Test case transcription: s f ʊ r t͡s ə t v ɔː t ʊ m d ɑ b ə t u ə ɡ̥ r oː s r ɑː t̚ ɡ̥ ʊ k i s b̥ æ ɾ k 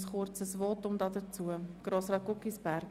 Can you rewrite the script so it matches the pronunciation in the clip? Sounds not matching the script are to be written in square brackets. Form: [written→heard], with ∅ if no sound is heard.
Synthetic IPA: s [f→χ] ʊ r t͡s ə [t→s] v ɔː t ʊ m d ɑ [b→d] ə [t→t͡s] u ə ɡ̥ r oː s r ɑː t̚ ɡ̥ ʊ k i s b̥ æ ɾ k